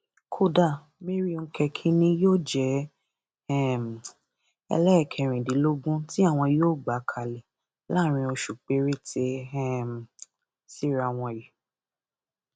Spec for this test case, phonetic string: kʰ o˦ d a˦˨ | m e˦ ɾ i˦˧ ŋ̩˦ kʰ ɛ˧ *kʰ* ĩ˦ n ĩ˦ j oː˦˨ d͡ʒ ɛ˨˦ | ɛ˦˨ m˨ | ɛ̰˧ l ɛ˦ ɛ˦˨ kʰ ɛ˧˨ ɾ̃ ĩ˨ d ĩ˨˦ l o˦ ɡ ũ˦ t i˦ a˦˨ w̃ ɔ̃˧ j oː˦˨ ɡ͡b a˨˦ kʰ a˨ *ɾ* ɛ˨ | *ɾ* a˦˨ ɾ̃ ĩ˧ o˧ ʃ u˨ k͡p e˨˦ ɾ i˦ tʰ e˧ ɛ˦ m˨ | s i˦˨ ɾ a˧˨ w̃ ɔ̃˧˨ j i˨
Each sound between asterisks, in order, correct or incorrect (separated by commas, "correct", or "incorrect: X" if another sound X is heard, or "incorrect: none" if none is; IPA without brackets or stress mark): correct, incorrect: l, incorrect: l